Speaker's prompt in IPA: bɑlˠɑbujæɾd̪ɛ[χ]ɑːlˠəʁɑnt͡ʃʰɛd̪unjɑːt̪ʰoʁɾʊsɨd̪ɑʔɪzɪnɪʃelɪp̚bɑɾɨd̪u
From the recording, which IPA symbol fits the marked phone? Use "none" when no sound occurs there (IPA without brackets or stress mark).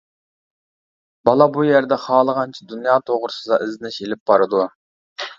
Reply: χ